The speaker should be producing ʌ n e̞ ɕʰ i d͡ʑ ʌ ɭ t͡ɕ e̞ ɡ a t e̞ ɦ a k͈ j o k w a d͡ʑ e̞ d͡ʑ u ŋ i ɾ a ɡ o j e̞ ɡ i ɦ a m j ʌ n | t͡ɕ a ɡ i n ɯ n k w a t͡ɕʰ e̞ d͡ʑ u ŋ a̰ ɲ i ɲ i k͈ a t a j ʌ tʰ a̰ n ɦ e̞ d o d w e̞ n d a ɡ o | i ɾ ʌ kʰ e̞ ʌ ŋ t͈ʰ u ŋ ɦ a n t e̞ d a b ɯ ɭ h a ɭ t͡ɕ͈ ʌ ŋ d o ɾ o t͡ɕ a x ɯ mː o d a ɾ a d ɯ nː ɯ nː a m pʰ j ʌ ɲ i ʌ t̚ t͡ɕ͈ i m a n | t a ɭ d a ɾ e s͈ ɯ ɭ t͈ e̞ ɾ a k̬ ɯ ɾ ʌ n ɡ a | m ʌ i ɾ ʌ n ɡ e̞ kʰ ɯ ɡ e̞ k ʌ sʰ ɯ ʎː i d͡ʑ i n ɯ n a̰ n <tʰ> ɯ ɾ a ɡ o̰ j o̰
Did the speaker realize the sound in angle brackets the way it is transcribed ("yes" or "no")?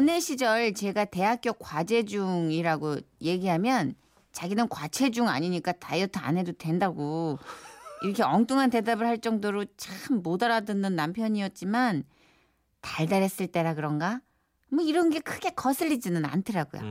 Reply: yes